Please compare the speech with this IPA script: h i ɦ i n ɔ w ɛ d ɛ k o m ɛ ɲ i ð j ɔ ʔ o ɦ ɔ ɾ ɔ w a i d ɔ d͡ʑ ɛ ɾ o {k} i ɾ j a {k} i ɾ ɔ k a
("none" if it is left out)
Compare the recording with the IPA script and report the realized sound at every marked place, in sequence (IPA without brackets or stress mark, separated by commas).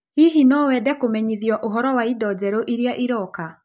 ʔ, ʔ